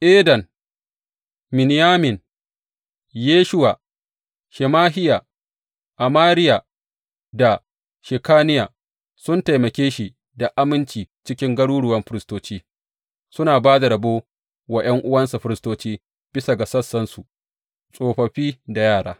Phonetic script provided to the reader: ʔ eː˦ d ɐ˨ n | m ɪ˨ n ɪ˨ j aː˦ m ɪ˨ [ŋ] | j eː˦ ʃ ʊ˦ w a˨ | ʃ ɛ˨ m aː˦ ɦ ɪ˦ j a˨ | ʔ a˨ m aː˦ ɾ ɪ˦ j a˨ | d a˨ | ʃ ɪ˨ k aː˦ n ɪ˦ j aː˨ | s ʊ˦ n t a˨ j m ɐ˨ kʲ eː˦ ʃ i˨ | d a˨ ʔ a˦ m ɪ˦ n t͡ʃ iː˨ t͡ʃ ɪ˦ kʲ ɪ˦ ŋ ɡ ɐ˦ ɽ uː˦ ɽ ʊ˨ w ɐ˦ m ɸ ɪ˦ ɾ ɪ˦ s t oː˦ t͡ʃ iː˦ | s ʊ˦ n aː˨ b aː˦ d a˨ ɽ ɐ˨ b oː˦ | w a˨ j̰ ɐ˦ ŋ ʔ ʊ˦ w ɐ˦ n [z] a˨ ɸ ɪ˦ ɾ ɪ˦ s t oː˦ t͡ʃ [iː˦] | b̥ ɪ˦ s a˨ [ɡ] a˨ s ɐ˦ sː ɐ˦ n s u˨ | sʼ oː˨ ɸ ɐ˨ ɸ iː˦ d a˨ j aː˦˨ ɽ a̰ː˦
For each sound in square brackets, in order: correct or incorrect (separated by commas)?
incorrect, incorrect, correct, correct